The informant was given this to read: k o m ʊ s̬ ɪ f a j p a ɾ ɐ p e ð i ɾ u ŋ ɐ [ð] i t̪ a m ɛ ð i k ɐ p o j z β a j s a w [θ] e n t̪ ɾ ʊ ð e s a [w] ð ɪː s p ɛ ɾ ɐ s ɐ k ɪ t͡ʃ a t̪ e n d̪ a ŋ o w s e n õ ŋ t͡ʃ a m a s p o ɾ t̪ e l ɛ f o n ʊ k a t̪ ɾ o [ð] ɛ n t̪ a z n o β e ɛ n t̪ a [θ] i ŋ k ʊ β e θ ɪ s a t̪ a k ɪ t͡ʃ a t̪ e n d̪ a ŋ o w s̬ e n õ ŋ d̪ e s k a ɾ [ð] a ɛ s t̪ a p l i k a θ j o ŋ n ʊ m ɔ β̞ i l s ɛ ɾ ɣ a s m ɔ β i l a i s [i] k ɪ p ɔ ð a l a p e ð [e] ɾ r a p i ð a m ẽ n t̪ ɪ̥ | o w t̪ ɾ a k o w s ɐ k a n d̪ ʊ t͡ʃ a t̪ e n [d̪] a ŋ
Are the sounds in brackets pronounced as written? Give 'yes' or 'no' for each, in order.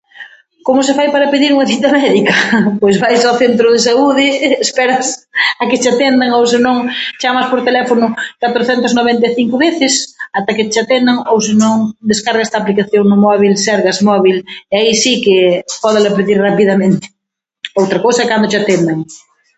no, yes, no, no, yes, no, yes, no, yes

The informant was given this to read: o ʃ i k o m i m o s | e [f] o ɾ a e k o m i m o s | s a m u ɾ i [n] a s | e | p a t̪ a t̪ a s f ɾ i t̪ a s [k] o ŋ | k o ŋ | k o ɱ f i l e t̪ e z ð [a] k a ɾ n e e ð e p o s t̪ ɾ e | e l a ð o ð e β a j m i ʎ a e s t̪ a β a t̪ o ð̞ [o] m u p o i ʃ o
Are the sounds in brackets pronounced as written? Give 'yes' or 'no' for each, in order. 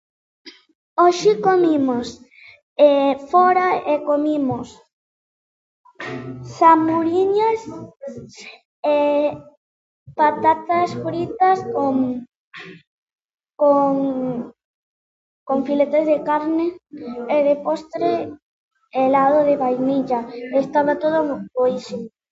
yes, no, yes, no, yes

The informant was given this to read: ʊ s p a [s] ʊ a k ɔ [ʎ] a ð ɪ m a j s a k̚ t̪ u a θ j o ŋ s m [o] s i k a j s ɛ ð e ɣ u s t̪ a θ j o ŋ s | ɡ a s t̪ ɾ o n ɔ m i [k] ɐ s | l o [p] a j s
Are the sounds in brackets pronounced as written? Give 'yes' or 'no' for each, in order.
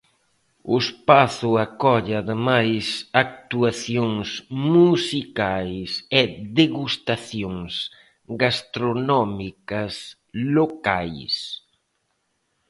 no, yes, no, yes, no

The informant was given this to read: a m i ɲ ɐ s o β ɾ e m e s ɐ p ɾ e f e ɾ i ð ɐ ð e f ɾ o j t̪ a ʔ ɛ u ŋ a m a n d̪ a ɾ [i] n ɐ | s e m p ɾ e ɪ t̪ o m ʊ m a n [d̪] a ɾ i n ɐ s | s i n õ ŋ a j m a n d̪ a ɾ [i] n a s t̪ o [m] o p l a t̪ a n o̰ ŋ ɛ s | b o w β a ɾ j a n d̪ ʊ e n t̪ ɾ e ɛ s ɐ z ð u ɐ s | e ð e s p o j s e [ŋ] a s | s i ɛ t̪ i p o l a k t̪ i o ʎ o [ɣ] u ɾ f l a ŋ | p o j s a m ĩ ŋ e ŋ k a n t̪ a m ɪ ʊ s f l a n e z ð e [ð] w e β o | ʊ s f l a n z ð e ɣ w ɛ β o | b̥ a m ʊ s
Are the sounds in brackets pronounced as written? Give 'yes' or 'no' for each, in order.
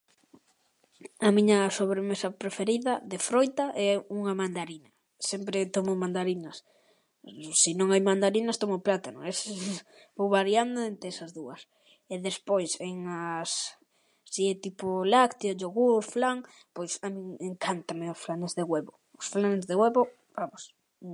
yes, yes, yes, yes, yes, yes, no

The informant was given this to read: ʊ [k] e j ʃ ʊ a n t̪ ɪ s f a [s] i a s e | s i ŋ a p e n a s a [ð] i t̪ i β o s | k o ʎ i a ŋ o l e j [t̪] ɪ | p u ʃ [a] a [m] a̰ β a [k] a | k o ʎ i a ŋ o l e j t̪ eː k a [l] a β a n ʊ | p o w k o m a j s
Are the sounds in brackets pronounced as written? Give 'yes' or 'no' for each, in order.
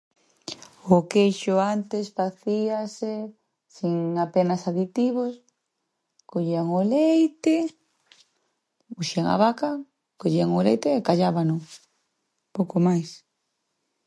yes, no, yes, yes, no, no, yes, no

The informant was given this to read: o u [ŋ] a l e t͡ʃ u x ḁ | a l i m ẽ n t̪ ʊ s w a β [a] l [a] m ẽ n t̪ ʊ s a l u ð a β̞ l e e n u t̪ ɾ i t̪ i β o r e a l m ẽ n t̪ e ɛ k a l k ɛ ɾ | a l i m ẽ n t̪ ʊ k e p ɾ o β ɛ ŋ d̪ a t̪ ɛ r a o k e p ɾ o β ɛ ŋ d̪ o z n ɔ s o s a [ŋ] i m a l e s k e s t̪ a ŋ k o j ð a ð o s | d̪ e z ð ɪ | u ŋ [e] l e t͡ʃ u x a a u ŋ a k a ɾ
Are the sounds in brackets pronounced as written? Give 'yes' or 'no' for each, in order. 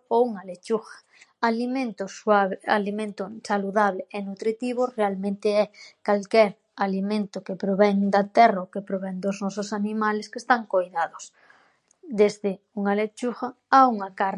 yes, yes, no, no, no

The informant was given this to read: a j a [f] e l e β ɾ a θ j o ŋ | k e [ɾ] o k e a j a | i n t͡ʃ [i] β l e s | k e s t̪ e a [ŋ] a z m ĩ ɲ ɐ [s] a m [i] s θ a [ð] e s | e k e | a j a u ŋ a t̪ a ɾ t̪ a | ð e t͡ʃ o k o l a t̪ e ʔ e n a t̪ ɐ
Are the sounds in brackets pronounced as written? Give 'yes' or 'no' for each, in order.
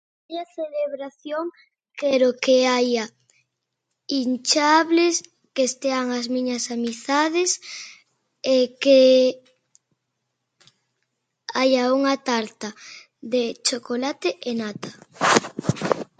no, yes, no, yes, yes, yes, yes

